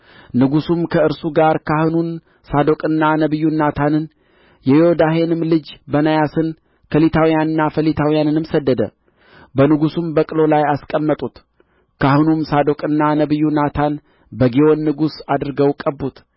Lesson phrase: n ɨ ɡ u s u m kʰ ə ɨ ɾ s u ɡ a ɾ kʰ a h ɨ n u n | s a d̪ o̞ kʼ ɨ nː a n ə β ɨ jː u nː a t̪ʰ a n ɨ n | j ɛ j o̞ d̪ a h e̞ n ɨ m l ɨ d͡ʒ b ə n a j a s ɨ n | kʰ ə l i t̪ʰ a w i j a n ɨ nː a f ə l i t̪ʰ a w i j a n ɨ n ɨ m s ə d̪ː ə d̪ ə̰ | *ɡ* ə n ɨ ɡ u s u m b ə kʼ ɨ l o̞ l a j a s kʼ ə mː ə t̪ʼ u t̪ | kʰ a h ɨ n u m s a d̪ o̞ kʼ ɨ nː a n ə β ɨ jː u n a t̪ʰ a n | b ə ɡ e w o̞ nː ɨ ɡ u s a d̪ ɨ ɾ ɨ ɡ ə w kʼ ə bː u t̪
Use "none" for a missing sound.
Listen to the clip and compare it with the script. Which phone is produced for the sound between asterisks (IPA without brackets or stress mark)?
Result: b